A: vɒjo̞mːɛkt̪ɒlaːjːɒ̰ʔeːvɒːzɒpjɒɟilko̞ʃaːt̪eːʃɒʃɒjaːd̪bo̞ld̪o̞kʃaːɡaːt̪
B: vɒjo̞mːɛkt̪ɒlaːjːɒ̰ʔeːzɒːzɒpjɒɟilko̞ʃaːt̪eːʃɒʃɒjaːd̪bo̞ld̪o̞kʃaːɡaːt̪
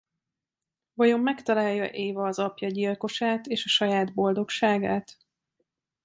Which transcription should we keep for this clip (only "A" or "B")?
A